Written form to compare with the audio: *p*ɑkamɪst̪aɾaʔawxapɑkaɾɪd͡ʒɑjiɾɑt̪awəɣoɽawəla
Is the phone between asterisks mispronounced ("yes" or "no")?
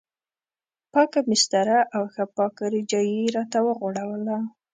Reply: no